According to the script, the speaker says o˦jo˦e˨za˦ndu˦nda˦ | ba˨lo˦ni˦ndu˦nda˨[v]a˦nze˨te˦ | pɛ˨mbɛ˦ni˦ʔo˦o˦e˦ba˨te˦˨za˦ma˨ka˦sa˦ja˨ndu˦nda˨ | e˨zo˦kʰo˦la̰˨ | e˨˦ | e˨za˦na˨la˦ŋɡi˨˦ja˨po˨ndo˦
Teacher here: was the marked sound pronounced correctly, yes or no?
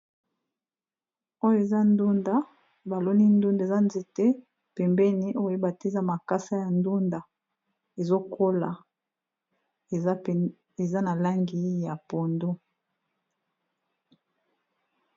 no